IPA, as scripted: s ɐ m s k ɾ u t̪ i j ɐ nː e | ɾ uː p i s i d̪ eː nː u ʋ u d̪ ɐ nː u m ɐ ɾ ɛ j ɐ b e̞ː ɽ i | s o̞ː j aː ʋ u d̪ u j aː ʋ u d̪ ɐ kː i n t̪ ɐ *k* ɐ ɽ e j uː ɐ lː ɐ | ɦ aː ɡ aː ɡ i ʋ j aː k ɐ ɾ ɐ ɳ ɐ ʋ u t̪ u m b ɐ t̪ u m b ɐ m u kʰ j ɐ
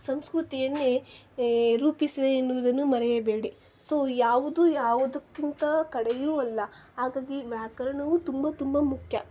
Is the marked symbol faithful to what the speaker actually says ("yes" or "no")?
yes